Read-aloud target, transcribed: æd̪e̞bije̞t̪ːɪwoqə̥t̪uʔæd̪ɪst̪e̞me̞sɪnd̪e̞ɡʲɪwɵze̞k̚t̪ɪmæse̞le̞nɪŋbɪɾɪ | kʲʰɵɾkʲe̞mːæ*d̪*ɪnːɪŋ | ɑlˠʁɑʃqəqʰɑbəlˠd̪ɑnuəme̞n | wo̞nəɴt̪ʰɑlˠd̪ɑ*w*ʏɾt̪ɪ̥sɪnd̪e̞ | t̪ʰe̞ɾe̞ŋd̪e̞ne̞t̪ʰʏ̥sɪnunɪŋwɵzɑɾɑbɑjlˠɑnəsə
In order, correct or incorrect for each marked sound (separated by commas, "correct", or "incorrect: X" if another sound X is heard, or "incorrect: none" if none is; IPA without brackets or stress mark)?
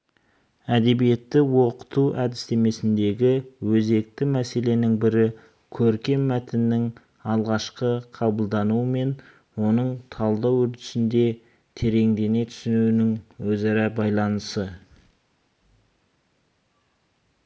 incorrect: t̪, correct